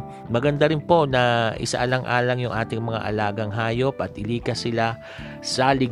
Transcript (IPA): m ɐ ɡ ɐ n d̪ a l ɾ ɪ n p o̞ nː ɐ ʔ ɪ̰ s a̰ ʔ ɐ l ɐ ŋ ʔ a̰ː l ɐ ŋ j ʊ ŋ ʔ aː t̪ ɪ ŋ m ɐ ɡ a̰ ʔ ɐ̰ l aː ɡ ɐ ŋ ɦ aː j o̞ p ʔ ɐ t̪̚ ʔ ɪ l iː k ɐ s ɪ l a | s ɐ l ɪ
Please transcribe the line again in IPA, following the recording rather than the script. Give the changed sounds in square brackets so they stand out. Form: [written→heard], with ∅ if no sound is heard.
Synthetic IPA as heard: m ɐ ɡ ɐ n d̪ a [l→∅] ɾ ɪ n p o̞ [nː→n] ɐ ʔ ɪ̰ s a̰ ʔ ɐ l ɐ ŋ ʔ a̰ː l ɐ ŋ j ʊ ŋ ʔ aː t̪ ɪ ŋ m ɐ [ɡ→ŋ] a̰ ʔ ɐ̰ l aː ɡ ɐ ŋ ɦ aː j o̞ p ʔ ɐ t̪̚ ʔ ɪ l iː k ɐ s ɪ l a | s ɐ l ɪ